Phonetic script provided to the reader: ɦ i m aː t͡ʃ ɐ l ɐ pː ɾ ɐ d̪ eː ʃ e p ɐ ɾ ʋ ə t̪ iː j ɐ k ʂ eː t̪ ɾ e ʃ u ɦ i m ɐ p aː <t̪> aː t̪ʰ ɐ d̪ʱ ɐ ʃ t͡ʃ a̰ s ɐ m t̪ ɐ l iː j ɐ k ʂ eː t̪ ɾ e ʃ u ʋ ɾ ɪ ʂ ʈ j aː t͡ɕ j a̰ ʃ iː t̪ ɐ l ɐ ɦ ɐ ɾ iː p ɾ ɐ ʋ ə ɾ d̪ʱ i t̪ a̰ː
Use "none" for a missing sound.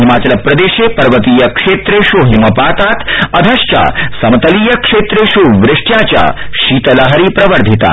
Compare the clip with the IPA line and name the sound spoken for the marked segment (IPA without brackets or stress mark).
t̪